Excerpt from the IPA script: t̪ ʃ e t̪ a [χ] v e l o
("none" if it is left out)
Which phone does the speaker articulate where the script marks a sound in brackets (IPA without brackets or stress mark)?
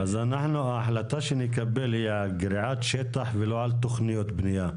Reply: ħ